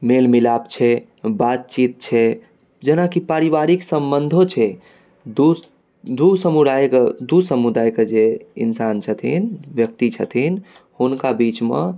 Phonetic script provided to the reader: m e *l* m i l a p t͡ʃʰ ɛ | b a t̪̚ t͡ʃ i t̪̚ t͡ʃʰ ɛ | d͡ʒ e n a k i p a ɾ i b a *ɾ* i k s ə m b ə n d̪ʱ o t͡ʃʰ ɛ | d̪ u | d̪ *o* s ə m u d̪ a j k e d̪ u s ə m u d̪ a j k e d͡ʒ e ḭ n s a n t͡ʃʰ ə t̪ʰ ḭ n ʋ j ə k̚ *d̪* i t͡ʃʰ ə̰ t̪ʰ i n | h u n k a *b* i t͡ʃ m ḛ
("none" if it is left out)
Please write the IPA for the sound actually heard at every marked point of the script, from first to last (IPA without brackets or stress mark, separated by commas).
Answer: l, ɾ, u, t̪, b